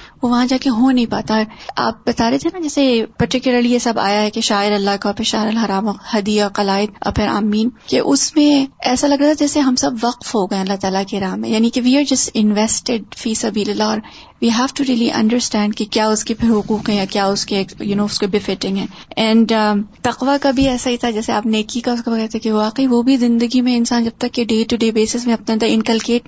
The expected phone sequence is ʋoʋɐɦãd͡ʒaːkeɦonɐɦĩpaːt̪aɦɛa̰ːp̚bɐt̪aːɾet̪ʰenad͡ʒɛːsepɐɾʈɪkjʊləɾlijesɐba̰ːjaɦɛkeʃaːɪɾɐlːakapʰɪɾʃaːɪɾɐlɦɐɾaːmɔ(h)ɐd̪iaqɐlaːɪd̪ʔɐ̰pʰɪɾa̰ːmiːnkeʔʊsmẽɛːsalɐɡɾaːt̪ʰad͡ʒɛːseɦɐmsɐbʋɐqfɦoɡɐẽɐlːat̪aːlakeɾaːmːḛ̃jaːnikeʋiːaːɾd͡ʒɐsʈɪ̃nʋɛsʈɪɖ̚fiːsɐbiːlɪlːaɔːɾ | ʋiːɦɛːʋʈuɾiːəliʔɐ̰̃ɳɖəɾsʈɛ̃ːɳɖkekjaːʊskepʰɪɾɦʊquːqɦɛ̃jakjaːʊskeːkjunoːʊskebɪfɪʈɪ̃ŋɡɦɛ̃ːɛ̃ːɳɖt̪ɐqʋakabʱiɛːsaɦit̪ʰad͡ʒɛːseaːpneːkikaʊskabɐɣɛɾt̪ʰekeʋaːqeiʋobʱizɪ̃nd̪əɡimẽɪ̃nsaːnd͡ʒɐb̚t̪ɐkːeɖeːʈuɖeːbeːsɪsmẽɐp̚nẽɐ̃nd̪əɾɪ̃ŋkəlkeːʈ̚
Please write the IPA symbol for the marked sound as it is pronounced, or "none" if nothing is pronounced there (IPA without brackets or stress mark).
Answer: h